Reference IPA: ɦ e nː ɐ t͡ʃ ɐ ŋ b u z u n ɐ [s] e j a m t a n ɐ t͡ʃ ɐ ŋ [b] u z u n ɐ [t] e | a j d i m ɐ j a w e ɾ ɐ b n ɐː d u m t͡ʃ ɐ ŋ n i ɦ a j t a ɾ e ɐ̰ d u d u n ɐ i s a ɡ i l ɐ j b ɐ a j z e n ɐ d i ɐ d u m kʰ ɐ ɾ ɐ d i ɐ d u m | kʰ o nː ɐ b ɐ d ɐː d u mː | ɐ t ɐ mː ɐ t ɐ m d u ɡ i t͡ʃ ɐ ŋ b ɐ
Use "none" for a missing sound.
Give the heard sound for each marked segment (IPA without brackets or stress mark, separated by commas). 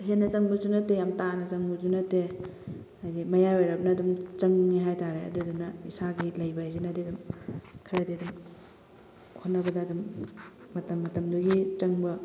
t, b, t